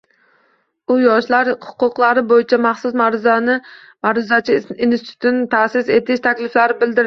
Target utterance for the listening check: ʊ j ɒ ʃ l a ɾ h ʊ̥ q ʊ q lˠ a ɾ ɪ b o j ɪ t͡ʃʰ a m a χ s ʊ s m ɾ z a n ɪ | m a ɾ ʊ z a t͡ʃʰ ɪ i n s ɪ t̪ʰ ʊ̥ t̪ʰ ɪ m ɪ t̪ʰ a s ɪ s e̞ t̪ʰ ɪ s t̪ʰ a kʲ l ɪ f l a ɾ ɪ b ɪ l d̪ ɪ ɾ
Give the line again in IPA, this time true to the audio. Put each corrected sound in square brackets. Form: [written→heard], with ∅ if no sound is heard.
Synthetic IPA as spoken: ʊ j ɒ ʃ l a ɾ h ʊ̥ q ʊ q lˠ a ɾ ɪ b o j ɪ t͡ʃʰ a m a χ s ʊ s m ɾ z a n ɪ | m a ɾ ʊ z a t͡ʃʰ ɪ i n s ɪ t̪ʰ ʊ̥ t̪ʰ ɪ [m→n] ɪ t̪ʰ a s ɪ s e̞ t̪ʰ ɪ [s→ʃ] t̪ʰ a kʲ l ɪ f l a ɾ ɪ b ɪ l d̪ ɪ ɾ

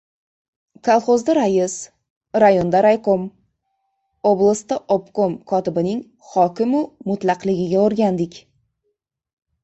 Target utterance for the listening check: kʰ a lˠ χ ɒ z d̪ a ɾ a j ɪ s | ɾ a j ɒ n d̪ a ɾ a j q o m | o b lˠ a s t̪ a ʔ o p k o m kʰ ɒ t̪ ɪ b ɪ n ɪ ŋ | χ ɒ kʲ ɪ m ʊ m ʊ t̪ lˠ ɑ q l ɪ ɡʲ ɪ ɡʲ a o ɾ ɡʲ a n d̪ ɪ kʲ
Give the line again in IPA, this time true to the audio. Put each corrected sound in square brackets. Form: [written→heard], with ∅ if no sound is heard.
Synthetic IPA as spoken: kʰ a lˠ χ [ɒ→o] z d̪ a ɾ a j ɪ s | ɾ a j [ɒ→o] n d̪ a ɾ a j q o m | o b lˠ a s t̪ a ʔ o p k o m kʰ ɒ t̪ ɪ b ɪ n ɪ ŋ | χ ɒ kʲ ɪ m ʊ m ʊ t̪ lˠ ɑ q l ɪ ɡʲ ɪ ɡʲ a o ɾ ɡʲ a n d̪ ɪ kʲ

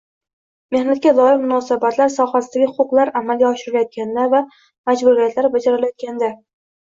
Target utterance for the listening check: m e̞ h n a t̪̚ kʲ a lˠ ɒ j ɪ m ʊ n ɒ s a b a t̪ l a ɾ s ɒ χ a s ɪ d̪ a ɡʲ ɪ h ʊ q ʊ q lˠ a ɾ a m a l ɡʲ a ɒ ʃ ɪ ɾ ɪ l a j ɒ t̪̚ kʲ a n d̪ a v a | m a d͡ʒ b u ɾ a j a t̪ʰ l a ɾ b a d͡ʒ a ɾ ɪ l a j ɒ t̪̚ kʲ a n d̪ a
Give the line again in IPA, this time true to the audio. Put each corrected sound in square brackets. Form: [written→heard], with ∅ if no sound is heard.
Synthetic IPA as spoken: m e̞ h n a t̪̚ kʲ a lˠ ɒ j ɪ m ʊ n ɒ s a b a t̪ l a ɾ s ɒ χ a s ɪ d̪ a ɡʲ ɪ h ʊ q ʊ q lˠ a ɾ a m a l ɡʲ a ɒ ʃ ɪ ɾ ɪ l a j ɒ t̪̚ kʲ a n d̪ a v a | m a d͡ʒ b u ɾ [a→i] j a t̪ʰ l a ɾ b a d͡ʒ a ɾ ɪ l a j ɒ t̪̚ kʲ a n d̪ a

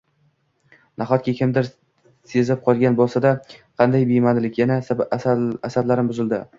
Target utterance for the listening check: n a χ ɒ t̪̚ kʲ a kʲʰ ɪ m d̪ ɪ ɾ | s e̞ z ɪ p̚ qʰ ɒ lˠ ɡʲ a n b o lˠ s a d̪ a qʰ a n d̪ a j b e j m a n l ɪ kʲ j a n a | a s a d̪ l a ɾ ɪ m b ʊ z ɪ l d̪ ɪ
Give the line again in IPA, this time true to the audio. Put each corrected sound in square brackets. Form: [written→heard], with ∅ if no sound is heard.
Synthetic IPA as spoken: n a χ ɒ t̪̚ kʲ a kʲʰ ɪ m d̪ ɪ ɾ | s e̞ z ɪ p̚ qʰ ɒ lˠ ɡʲ a n b o lˠ s a d̪ a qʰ [a→ɑ] n d̪ a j b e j m a n l ɪ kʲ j a n a | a s a d̪ l a ɾ ɪ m b ʊ z ɪ l d̪ ɪ

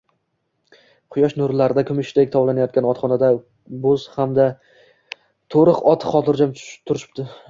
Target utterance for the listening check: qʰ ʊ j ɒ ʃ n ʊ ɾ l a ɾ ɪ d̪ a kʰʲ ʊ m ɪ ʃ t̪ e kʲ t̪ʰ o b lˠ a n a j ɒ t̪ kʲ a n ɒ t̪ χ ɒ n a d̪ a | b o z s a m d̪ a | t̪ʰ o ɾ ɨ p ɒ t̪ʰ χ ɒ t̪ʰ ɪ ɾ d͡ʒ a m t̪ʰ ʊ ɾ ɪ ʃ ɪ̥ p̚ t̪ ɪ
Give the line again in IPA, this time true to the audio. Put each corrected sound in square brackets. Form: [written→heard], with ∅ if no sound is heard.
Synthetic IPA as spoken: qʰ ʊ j ɒ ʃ n ʊ ɾ l a ɾ ɪ d̪ a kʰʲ ʊ m ɪ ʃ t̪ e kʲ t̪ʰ [o→ɒ] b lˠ a n a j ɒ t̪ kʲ a n ɒ t̪ χ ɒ n a d̪ a | b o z [s→h] a m d̪ a | t̪ʰ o ɾ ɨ [p→q] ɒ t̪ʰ χ ɒ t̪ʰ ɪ ɾ d͡ʒ a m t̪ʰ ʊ ɾ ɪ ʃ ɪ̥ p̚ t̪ ɪ

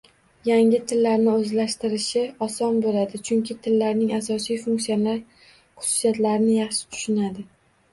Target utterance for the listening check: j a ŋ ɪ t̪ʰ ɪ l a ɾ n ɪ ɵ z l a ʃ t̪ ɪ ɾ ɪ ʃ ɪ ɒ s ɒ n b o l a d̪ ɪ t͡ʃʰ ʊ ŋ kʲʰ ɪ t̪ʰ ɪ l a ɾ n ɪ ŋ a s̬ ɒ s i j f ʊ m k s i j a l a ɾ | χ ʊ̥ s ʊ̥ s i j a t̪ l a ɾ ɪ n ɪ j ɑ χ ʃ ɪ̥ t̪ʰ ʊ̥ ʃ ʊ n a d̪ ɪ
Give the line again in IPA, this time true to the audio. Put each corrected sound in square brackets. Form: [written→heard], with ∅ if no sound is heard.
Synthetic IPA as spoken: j a ŋ ɪ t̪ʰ ɪ [l→lː] a ɾ n ɪ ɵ z l a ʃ t̪ ɪ ɾ ɪ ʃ ɪ ɒ s ɒ n b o l a d̪ ɪ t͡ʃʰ ʊ ŋ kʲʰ ɪ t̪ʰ ɪ [l→lː] a ɾ n ɪ ŋ a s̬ ɒ s i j f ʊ [m→ŋ] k s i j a l a ɾ | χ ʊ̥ s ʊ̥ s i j a t̪ l a ɾ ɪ n ɪ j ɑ χ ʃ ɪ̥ t̪ʰ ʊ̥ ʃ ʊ n a d̪ ɪ

